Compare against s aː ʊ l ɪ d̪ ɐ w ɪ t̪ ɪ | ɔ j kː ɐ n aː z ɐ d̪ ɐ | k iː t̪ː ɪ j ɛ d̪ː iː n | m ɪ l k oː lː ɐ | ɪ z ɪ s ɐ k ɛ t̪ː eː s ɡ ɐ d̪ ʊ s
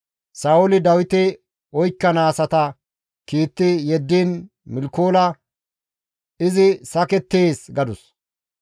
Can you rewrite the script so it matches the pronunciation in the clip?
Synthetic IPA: s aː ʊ l ɪ d̪ ɐ w ɪ t̪ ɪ | ɔ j kː ɐ n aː s ɐ t̪ ɐ | k iː t̪ː ɪ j ɛ d̪ː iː n | m ɪ l k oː l ɐ | ɪ z ɪ s ɐ k ɛ t̪ː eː s ɡ ɐ d̪ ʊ s